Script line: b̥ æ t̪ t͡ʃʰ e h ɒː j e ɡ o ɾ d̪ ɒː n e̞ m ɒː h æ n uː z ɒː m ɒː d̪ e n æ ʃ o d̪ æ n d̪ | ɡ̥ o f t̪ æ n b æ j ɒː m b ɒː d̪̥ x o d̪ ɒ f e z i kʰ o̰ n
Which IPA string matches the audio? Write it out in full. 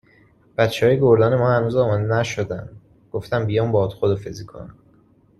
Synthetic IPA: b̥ æ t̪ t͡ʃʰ e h ɒː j e ɡ o ɾ d̪ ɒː n e̞ m ɒː h æ n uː z ɒː m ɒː d̪ e n æ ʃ o d̪ æ n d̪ | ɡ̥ o f t̪ æ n b i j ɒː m b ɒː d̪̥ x o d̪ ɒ f e z i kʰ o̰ n